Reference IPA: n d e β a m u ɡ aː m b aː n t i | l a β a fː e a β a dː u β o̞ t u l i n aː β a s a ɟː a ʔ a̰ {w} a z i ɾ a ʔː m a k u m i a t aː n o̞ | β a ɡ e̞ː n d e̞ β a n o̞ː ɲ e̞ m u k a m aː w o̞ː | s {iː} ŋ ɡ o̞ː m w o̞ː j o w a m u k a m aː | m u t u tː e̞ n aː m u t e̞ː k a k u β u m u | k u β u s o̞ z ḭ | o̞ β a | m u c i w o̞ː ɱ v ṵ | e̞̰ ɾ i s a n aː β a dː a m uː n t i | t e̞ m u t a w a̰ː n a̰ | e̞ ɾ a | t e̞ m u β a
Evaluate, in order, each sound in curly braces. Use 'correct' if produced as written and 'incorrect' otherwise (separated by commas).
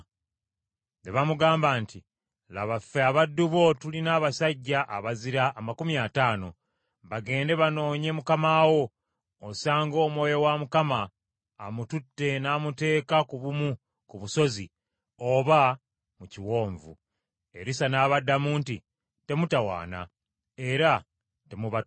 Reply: incorrect, incorrect